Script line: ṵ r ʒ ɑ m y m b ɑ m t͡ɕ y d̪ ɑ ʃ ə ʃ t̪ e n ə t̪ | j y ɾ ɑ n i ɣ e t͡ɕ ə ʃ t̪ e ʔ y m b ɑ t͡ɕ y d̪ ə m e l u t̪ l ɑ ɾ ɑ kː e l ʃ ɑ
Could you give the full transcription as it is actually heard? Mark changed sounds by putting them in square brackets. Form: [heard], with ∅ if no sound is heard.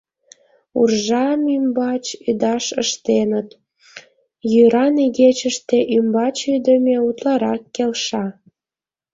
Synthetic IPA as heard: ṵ r ʒ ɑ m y m b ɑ [∅] t͡ɕ y d̪ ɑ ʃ ə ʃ t̪ e n ə t̪ | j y ɾ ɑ n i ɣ e t͡ɕ ə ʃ t̪ e ʔ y m b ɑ t͡ɕ y d̪ ə m e [∅] u t̪ l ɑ ɾ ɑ kː e l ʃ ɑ